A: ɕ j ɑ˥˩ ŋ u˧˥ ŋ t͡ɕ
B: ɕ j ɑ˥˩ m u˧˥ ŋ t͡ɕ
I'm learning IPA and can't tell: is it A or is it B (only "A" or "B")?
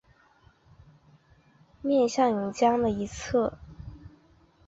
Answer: A